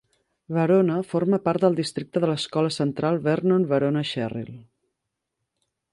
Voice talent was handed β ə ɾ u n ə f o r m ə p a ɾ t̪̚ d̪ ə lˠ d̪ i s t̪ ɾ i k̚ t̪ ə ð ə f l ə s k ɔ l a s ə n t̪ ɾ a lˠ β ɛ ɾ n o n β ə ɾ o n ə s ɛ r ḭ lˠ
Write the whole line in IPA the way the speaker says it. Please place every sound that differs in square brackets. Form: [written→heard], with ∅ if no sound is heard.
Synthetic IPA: β ə ɾ [u→o] n ə f o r m ə p a ɾ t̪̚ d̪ ə lˠ d̪ i s t̪ ɾ i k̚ t̪ ə ð ə [f→∅] l ə s k ɔ l [a→ə] s ə n t̪ ɾ a lˠ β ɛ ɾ n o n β ə ɾ o n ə [s→ʃ] ɛ r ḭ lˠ